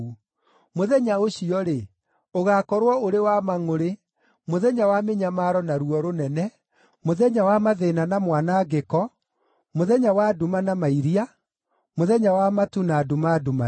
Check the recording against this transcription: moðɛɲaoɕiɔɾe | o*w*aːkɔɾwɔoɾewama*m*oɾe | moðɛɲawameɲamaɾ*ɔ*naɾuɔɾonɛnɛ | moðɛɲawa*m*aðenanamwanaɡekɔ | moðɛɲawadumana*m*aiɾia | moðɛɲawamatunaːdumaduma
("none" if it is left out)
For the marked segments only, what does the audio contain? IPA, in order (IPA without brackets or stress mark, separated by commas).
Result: ɣ, ŋ, ɔ, m, m